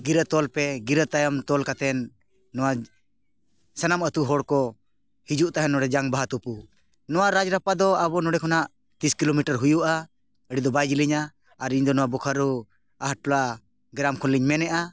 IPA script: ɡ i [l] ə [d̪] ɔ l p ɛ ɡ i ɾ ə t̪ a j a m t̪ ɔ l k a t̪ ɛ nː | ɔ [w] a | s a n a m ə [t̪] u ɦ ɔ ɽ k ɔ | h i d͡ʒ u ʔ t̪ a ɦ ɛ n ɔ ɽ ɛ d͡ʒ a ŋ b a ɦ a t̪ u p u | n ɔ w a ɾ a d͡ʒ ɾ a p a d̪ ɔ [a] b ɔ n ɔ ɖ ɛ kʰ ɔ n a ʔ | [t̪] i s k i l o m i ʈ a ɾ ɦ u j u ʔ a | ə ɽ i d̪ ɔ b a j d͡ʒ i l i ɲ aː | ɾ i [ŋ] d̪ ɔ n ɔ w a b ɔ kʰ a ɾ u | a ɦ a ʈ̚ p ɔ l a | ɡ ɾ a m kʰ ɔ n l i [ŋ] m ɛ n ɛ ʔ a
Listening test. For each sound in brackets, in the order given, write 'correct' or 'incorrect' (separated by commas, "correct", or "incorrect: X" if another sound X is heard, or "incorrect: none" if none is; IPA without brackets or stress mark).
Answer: incorrect: ɾ, incorrect: t̪, correct, correct, correct, correct, incorrect: ɲ, incorrect: ɲ